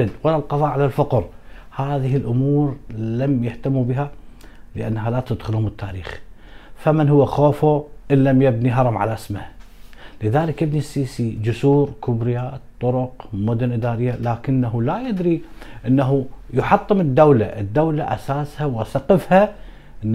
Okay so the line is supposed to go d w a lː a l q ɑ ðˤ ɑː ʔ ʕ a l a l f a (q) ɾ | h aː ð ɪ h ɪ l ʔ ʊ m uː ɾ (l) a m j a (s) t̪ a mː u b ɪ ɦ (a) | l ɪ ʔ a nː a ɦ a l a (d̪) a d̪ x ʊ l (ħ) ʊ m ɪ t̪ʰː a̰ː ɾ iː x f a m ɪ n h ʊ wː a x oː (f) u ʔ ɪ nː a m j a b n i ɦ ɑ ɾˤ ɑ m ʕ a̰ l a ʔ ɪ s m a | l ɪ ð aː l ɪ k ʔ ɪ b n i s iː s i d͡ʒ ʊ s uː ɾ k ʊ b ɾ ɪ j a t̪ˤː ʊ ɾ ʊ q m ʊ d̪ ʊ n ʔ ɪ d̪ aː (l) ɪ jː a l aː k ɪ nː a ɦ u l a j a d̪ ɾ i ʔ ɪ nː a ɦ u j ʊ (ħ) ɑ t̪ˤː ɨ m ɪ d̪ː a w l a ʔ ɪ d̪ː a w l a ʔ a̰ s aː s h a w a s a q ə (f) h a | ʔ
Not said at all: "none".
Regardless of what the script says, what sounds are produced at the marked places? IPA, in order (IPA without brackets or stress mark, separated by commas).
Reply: q, l, h, a, t̪, h, f, ɾ, ħ, f